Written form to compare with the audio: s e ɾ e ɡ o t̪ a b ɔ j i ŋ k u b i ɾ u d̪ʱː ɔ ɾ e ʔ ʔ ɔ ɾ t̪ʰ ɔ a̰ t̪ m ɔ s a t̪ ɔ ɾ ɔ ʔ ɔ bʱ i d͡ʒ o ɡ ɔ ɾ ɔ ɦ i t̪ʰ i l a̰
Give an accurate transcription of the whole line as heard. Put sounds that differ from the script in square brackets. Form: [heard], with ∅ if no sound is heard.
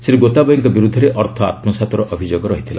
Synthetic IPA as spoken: s e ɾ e ɡ o t̪ a b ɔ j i ŋ k [ɔ] b i ɾ u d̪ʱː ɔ ɾ e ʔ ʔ ɔ ɾ t̪ʰ ɔ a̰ t̪ m ɔ s a t̪ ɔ ɾ ɔ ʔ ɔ bʱ i d͡ʒ o ɡ ɔ ɾ ɔ ɦ i t̪ʰ i l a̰